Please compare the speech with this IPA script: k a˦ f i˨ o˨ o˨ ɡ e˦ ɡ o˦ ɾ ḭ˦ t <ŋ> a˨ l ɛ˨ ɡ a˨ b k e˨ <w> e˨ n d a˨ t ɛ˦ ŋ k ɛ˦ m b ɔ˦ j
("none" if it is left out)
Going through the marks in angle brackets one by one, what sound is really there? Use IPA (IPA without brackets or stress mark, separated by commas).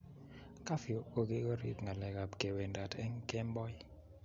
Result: ŋ, w